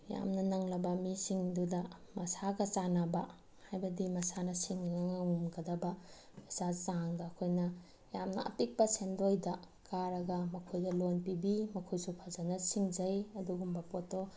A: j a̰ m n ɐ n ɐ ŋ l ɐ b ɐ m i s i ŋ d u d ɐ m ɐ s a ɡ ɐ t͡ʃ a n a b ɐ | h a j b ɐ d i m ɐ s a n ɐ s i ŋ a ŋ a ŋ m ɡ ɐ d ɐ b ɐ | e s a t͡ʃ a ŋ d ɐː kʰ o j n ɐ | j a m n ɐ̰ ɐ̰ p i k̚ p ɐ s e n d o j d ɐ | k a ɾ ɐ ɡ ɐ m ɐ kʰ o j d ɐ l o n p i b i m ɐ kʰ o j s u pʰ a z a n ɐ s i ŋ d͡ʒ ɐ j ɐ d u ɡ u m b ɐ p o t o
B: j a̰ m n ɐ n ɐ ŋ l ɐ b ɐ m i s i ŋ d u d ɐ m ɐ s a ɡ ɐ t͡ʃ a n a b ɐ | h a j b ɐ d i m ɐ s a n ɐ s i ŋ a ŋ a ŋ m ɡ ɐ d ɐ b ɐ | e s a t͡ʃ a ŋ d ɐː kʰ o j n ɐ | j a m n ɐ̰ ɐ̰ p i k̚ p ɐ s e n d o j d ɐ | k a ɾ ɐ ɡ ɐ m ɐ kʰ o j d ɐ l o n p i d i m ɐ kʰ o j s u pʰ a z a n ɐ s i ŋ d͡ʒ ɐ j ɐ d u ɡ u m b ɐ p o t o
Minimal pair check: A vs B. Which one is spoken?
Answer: A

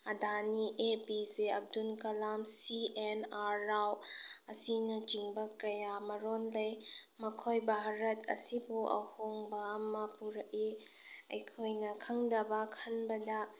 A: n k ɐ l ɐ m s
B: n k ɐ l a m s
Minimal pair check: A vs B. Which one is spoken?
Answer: B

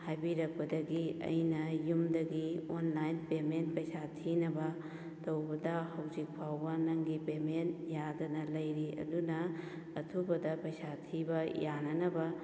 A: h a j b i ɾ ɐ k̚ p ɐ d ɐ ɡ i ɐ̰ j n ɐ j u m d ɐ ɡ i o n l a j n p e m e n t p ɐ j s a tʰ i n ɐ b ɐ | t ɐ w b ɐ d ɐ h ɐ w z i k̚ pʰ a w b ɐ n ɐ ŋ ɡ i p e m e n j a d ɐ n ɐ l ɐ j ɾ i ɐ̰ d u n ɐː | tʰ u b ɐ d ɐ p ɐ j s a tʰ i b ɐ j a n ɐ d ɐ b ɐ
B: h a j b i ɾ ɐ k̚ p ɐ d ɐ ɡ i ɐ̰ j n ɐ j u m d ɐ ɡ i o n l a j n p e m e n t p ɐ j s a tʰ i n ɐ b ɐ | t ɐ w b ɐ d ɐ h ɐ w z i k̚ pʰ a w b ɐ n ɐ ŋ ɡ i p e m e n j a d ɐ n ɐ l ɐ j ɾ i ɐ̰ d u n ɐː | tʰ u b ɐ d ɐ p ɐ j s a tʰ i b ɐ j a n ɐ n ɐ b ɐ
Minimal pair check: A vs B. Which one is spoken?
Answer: B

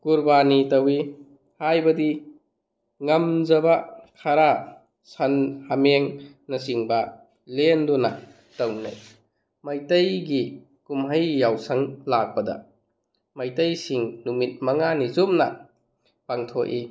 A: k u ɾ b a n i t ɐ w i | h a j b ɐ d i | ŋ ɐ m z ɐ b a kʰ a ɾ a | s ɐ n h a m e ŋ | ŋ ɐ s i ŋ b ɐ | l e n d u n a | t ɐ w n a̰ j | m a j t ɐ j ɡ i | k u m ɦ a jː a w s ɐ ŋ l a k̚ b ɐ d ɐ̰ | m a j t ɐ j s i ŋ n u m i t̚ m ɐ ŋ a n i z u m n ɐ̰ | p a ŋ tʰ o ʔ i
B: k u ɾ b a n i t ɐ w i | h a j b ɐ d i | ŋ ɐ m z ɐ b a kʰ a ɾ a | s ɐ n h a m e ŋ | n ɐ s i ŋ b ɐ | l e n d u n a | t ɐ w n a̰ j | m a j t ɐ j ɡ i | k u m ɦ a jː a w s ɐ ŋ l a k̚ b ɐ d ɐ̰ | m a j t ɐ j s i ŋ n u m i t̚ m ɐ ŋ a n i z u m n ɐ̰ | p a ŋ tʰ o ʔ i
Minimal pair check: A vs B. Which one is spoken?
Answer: B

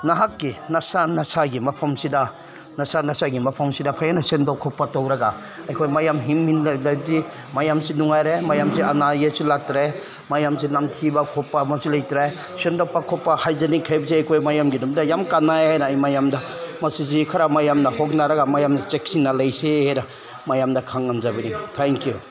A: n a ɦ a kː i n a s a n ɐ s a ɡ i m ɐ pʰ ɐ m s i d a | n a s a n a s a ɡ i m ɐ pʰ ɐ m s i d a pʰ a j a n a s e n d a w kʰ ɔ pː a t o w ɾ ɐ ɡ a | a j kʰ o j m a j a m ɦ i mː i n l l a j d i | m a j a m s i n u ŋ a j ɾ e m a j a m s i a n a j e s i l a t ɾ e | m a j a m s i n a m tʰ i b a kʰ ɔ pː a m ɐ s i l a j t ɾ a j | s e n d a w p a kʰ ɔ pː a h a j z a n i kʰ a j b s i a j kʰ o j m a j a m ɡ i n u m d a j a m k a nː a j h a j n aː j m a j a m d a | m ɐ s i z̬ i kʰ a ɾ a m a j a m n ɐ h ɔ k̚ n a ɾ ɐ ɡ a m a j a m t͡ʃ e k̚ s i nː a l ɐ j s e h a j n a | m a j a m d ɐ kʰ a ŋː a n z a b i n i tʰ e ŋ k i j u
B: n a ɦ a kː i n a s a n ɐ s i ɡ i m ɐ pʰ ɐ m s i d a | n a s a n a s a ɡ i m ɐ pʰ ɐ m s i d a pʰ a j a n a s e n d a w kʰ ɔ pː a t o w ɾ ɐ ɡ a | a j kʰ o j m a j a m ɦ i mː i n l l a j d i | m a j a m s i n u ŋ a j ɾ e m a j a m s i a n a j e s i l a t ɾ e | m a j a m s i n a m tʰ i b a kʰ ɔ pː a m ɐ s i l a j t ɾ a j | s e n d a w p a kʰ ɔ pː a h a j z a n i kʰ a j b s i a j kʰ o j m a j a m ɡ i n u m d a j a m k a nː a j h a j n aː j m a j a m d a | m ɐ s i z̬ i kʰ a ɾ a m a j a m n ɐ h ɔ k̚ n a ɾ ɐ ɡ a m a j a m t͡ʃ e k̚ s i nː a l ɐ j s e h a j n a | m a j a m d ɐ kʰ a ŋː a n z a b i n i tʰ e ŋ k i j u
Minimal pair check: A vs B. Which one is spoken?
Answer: A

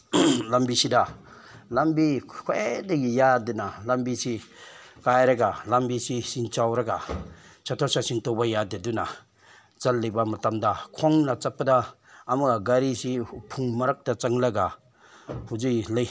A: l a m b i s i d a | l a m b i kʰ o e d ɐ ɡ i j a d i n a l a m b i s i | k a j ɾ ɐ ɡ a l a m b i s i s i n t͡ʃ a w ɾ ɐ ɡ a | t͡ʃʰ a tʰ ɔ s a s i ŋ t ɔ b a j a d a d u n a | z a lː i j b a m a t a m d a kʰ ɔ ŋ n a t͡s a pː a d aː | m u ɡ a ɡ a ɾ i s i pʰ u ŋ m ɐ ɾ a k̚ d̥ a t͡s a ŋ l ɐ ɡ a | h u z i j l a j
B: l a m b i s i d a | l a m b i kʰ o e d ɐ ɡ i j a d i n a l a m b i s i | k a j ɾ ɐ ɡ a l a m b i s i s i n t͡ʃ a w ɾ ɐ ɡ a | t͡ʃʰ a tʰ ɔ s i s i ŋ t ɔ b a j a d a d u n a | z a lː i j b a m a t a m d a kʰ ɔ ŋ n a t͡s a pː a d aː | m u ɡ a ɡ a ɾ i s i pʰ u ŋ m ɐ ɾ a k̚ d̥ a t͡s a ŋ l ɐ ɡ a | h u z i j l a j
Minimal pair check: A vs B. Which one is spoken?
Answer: A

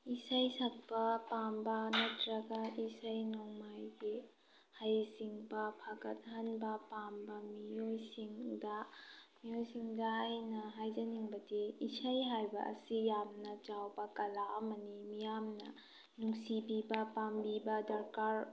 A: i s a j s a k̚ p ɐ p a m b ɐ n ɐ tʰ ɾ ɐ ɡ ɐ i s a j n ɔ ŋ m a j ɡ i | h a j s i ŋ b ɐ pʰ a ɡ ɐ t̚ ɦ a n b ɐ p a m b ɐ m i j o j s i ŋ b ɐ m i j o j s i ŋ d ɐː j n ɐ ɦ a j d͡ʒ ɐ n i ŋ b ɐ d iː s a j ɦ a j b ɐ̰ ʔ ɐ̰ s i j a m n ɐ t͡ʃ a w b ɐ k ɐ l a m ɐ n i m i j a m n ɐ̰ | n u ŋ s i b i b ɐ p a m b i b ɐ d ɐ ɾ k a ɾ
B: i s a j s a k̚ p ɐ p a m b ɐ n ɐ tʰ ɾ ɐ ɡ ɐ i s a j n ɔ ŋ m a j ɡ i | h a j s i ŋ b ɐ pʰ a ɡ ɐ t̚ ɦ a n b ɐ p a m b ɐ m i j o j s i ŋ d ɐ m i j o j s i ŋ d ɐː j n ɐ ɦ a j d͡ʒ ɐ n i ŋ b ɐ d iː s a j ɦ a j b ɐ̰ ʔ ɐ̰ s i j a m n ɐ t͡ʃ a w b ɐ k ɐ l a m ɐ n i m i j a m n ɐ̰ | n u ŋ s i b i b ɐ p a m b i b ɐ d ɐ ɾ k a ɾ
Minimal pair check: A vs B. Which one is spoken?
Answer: B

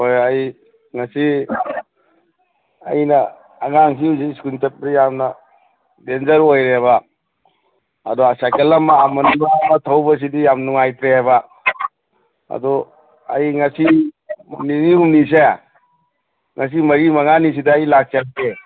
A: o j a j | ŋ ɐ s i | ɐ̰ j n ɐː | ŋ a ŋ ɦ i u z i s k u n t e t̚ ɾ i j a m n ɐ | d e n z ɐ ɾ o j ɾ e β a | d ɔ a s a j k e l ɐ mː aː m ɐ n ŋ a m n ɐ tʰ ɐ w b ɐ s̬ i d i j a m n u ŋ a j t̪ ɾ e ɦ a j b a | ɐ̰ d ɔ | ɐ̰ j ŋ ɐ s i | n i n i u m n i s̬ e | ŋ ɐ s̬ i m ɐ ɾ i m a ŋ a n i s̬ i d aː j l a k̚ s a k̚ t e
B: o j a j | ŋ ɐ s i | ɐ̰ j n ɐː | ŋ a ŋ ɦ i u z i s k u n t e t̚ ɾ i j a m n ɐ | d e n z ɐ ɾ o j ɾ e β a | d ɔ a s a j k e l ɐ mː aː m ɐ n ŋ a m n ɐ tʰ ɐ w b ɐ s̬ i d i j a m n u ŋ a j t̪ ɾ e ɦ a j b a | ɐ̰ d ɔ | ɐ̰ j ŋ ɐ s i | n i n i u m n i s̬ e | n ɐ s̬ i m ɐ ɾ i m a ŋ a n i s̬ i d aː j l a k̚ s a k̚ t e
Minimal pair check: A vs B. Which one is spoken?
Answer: A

